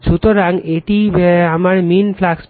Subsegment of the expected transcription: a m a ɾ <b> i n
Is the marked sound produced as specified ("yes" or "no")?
no